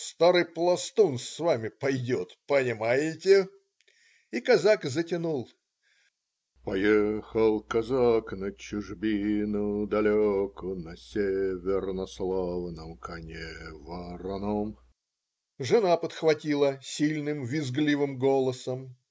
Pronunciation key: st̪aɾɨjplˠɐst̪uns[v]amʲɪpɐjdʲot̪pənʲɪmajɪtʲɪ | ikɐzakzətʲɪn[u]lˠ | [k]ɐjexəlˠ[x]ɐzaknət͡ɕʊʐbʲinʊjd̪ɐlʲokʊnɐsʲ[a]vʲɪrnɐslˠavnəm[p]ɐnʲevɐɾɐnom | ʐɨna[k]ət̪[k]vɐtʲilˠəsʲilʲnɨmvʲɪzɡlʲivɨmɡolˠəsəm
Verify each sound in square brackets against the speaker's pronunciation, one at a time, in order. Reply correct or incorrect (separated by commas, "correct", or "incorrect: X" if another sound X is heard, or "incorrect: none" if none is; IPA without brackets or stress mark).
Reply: correct, correct, incorrect: p, incorrect: k, incorrect: e, incorrect: k, incorrect: p, incorrect: x